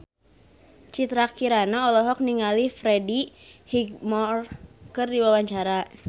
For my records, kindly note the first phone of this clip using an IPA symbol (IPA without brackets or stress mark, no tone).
t͡ʃ